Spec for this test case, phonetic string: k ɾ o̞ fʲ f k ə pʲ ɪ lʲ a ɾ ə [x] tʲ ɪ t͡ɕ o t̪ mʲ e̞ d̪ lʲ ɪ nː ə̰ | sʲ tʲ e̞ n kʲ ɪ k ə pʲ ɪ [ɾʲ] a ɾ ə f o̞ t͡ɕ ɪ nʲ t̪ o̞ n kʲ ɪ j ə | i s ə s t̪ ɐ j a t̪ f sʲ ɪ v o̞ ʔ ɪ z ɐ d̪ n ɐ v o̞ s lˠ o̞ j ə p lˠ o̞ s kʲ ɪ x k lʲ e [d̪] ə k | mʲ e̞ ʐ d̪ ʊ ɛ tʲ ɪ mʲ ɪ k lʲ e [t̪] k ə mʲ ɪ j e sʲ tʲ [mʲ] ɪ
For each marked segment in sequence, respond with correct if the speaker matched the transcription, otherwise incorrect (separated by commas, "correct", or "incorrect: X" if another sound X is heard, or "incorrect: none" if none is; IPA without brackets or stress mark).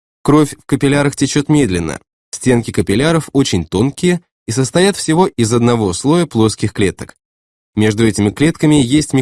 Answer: correct, incorrect: lʲ, incorrect: t̪, correct, correct